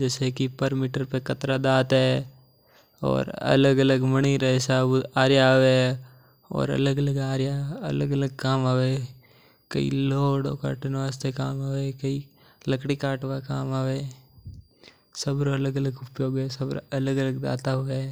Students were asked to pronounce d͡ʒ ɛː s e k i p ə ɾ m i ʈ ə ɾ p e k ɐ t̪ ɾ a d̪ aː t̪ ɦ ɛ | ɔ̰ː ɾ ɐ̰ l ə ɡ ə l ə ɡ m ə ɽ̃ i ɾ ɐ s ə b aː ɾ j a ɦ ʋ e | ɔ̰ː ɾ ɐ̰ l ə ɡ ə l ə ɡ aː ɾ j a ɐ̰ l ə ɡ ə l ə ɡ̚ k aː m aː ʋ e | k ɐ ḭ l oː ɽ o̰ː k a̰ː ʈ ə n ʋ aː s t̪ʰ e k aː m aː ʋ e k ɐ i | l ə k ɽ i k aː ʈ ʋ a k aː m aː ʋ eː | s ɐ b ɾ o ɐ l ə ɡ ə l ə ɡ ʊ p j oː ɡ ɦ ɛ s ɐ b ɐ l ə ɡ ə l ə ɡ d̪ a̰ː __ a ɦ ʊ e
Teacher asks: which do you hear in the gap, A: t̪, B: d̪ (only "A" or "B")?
A